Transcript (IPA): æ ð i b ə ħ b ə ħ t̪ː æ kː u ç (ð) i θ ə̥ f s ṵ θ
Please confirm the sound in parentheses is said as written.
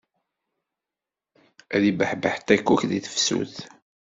yes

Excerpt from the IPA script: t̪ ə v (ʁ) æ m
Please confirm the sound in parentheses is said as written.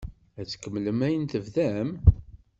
no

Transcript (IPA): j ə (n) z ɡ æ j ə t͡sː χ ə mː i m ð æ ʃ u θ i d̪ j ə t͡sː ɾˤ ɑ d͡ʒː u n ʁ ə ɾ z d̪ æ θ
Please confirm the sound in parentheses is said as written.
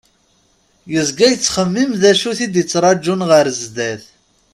no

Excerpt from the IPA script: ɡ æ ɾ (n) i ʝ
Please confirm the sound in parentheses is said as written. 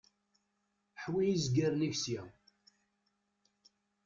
yes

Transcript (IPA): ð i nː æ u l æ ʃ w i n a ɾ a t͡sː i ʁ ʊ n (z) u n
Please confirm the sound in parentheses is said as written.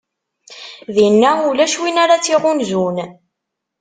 yes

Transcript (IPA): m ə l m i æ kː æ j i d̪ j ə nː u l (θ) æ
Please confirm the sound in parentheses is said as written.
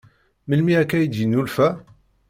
no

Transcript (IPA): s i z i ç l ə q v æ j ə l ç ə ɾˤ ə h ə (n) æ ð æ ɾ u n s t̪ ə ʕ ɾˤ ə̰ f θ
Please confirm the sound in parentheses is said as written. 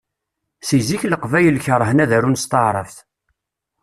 yes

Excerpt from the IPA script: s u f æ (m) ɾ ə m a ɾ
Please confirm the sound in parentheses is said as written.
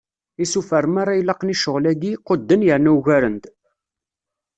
no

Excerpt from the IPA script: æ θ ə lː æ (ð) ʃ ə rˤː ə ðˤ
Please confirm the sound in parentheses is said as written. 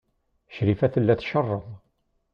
no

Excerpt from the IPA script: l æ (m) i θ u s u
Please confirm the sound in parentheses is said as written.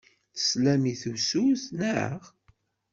yes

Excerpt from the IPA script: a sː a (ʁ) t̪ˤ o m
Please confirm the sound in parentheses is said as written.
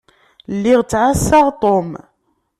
yes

